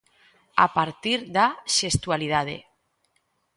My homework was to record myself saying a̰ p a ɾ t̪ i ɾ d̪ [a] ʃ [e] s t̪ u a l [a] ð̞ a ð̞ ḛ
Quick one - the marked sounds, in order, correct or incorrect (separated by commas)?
correct, correct, incorrect